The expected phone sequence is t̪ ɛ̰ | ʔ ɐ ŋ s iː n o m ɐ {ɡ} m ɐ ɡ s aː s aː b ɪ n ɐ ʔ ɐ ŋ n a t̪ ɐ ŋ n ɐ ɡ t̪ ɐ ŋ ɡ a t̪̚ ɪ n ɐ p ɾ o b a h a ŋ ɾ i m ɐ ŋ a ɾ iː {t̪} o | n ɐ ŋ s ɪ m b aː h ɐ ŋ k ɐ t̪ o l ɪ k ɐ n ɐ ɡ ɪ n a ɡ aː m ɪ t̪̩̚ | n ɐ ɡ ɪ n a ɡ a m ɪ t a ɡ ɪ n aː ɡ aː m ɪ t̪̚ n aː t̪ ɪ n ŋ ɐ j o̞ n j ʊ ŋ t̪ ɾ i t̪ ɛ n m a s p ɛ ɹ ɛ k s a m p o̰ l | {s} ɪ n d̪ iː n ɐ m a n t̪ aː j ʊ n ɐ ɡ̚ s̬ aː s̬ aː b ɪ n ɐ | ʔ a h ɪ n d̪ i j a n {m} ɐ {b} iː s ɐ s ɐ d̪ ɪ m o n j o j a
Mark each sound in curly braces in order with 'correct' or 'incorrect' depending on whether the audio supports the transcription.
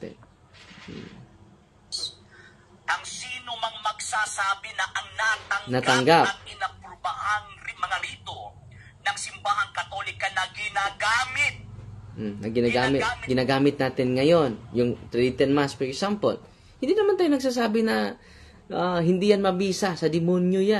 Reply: incorrect: ŋ, correct, incorrect: h, correct, correct

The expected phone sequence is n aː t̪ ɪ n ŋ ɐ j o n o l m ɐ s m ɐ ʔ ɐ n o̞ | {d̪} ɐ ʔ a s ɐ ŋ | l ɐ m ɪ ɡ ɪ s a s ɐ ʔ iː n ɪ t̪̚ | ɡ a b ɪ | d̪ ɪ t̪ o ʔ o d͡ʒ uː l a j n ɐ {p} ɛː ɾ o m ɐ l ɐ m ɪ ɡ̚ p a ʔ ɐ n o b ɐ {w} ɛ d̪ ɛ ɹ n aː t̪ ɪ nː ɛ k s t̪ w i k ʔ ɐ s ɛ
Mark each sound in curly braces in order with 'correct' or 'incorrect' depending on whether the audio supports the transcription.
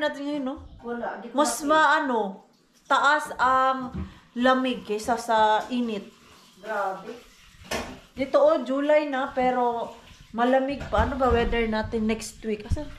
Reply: incorrect: t̪, correct, correct

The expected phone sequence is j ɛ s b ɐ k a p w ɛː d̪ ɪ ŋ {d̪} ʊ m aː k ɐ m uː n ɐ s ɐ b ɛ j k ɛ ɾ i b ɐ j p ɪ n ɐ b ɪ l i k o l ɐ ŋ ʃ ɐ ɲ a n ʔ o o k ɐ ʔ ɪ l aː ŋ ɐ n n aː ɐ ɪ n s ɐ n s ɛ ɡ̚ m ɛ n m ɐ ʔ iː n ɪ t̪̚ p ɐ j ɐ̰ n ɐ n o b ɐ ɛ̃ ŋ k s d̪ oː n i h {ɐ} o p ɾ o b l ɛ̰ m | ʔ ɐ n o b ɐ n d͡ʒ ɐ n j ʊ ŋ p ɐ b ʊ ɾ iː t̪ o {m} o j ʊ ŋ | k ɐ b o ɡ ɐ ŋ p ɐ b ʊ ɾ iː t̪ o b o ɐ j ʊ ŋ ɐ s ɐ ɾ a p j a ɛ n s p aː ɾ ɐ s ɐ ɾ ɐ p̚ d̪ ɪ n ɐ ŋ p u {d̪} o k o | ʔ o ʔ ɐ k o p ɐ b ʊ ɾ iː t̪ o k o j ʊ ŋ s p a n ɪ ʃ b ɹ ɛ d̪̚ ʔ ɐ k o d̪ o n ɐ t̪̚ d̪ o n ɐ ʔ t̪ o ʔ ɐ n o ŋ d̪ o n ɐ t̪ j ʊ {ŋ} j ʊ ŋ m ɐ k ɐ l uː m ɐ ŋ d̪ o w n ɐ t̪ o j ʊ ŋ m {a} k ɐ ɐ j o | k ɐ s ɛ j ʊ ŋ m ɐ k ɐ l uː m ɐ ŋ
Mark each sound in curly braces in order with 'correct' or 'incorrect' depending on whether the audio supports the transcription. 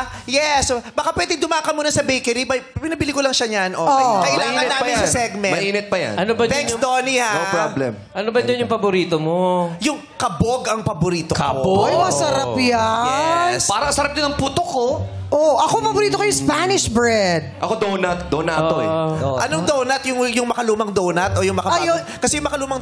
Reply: correct, incorrect: a, correct, incorrect: t̪, correct, incorrect: ɐ

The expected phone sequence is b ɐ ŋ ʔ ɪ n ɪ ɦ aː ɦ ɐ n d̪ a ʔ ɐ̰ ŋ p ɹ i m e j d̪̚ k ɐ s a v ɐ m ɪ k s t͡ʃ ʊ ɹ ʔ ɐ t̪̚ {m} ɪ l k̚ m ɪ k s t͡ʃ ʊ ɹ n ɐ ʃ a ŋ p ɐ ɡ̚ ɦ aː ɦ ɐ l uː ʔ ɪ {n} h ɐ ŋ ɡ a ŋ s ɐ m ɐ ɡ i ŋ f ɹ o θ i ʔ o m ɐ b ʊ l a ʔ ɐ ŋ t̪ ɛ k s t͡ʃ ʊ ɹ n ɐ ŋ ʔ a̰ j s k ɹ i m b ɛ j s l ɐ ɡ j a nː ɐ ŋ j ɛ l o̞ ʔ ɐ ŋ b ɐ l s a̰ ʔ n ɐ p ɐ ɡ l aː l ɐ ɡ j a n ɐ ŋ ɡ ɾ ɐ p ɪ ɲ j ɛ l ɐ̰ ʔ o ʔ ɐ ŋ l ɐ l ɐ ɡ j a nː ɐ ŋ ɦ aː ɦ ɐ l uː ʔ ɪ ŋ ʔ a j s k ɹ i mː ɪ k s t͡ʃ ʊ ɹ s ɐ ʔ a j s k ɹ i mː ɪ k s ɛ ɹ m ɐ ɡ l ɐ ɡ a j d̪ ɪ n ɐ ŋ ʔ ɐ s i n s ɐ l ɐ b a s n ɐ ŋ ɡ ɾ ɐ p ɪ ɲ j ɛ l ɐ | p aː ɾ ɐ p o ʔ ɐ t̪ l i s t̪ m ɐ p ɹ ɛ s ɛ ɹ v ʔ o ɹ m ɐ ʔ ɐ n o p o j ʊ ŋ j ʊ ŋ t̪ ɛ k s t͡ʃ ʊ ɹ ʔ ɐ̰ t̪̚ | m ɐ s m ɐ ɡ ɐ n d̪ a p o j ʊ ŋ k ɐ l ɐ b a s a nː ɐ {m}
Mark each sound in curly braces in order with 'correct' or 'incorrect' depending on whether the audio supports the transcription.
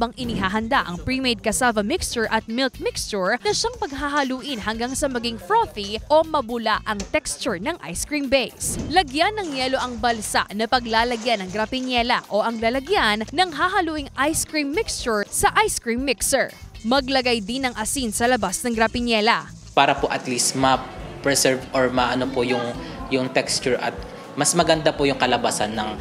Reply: correct, correct, incorrect: ŋ

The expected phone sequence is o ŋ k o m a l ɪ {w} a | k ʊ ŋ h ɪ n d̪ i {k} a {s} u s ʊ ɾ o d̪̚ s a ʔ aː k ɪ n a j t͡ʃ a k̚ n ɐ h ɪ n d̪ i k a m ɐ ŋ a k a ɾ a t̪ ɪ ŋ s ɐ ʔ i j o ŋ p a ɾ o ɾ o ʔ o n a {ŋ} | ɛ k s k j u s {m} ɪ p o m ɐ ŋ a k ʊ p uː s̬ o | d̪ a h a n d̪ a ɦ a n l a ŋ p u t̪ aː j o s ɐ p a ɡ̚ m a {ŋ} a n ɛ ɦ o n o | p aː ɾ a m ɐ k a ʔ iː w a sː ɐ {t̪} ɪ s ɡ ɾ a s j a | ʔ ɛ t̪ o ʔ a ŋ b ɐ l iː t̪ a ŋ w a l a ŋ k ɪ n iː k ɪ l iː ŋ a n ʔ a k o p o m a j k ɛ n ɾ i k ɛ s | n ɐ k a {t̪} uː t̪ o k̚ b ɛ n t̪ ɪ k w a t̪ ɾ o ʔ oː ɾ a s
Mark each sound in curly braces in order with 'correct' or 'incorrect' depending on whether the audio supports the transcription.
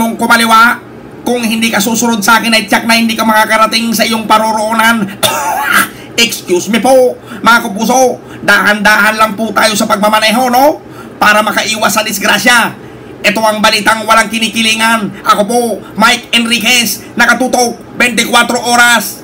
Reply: correct, correct, correct, incorrect: n, correct, incorrect: m, incorrect: d̪, correct

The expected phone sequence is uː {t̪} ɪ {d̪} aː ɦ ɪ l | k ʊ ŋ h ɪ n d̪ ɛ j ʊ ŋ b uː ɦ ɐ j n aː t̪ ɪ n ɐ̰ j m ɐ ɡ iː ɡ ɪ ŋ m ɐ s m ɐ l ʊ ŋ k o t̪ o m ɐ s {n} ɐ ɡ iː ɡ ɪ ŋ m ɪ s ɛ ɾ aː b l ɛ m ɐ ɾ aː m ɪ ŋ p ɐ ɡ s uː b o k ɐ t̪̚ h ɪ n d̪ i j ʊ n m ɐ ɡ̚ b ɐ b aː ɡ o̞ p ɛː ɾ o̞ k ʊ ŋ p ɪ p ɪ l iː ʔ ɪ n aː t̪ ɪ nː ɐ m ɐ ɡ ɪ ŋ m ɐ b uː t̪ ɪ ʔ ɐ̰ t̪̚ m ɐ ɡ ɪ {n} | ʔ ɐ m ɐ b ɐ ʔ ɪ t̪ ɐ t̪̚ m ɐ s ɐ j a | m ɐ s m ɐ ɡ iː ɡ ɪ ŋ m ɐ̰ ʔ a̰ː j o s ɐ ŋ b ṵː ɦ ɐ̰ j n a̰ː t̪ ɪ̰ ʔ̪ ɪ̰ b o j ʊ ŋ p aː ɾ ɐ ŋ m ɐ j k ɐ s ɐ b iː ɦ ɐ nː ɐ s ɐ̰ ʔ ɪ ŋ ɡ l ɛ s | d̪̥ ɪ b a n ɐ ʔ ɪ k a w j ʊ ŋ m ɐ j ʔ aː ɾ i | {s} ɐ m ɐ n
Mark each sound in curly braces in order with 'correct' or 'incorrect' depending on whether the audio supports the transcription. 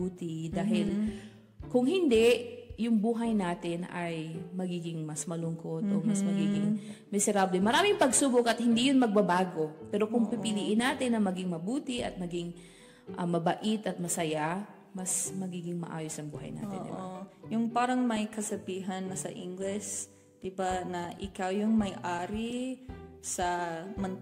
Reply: correct, correct, incorrect: m, incorrect: ŋ, correct

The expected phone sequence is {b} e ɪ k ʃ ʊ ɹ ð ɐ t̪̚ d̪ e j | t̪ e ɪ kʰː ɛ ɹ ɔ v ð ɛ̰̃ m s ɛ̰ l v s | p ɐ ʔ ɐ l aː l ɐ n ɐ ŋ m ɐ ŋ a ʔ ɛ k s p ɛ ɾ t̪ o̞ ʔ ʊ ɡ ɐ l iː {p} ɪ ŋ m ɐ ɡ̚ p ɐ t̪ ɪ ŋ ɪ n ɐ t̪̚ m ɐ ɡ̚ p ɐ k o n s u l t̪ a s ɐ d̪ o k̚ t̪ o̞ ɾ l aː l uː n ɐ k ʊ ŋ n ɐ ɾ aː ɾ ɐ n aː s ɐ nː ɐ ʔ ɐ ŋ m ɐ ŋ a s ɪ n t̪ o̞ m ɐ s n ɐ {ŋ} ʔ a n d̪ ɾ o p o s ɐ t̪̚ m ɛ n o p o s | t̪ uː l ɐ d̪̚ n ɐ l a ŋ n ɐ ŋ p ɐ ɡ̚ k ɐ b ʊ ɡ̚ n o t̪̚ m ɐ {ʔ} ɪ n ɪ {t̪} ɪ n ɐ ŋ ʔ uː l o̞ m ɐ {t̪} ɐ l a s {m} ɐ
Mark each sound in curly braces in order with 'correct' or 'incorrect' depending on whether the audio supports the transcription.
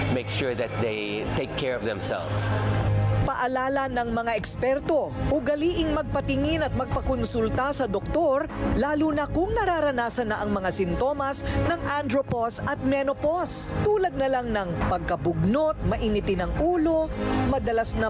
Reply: incorrect: m, incorrect: ʔ, correct, correct, correct, incorrect: d̪, incorrect: n

